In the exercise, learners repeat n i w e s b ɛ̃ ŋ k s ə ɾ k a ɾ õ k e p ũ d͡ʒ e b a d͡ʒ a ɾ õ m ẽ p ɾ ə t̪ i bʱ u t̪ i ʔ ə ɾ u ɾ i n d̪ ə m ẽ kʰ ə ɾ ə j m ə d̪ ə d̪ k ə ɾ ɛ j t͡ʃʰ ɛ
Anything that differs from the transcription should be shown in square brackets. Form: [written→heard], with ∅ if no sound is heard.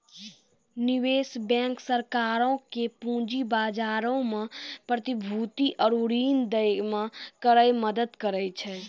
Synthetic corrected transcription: n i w e s b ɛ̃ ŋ k s ə ɾ k a ɾ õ k e p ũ d͡ʒ [e→i] b a d͡ʒ a ɾ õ m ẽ p ɾ ə t̪ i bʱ u t̪ i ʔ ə ɾ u ɾ i n d̪ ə m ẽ [kʰ→k] ə ɾ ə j m ə d̪ ə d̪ k ə ɾ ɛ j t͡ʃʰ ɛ